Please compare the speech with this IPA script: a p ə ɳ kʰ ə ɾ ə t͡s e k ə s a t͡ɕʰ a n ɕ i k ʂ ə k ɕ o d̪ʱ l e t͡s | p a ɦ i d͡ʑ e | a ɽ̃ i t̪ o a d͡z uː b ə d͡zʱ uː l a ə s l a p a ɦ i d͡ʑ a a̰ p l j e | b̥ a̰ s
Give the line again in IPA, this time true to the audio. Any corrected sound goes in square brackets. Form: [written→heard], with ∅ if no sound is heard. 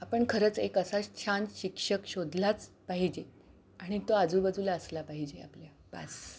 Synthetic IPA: a p ə ɳ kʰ ə ɾ ə t͡s e k ə s a t͡ɕʰ a n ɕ i k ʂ ə k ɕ o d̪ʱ l [e→a] t͡s | p a ɦ i d͡ʑ e | a ɽ̃ i t̪ o a d͡z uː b ə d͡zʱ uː l a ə s l a p a ɦ i d͡ʑ [a→e] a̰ p l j [e→a] | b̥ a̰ s